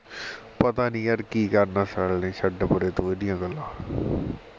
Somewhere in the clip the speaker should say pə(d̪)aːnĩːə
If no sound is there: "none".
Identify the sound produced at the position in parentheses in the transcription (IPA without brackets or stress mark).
t̪